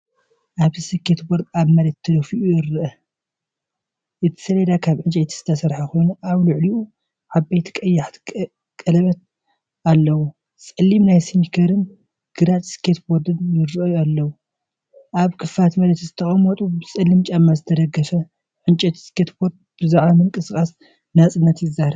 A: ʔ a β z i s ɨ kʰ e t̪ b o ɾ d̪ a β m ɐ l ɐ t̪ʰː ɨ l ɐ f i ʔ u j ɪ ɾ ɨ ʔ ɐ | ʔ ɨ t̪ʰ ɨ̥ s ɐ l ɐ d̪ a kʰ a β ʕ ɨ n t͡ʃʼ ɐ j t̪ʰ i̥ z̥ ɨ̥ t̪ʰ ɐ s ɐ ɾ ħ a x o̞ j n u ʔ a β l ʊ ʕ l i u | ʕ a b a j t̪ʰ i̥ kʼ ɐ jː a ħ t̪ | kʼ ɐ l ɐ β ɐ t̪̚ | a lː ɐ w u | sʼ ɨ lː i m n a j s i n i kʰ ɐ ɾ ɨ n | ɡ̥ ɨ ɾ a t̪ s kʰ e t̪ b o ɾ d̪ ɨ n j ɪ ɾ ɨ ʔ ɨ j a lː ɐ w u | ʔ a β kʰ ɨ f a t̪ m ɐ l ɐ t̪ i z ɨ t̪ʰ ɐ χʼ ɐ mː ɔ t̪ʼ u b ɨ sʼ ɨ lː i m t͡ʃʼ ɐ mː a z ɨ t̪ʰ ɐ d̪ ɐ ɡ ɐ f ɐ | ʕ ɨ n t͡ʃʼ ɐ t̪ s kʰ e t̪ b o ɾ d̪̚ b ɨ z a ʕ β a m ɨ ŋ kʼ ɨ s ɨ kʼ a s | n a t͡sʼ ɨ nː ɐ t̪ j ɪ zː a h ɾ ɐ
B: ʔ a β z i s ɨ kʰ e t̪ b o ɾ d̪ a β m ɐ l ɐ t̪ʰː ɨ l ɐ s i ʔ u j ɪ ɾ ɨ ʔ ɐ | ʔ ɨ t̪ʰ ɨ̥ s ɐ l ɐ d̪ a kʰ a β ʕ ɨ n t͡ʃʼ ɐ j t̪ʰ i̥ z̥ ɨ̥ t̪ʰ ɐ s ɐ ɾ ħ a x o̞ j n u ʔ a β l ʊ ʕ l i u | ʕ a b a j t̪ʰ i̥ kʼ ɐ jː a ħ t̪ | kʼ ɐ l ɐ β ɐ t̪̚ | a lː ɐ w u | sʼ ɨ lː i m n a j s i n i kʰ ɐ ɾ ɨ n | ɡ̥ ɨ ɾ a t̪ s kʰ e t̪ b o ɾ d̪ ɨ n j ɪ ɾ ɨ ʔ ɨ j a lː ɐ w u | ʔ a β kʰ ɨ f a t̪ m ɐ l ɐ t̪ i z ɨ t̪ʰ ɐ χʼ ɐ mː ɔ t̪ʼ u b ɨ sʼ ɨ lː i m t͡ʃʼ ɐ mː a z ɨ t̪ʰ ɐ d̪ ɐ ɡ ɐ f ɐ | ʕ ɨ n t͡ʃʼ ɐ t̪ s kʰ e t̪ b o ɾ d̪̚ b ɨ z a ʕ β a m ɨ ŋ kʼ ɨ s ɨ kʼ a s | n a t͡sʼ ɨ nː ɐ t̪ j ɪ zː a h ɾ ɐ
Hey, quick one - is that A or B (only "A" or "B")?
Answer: A